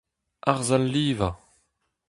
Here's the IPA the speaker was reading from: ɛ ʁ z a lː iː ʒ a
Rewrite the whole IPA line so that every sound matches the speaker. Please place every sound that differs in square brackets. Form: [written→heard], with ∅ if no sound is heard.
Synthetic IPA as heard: [ɛ→a] ʁ z a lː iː [ʒ→v] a

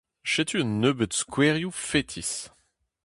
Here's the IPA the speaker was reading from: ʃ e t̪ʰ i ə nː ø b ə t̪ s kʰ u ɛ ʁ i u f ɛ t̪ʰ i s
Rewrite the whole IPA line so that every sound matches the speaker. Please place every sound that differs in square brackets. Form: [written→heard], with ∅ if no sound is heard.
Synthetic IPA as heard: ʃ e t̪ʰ [i→y] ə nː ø b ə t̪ s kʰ [u→w] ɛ ʁ [i→j] u f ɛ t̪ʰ i s

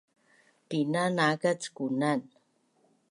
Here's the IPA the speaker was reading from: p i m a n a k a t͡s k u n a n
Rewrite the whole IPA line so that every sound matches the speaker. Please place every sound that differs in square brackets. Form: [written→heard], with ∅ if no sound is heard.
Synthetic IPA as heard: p i [m→n] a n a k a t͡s k u n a n

